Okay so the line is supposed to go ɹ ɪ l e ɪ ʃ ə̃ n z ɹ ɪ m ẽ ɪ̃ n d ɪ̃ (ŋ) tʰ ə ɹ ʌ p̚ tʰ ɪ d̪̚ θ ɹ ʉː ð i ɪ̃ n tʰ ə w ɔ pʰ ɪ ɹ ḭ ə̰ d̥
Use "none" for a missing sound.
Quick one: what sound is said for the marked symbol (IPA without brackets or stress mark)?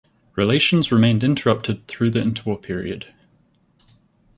n